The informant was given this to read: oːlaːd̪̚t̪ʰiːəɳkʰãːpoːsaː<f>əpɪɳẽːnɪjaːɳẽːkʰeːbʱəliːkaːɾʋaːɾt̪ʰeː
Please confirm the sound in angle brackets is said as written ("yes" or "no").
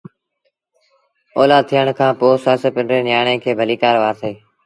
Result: no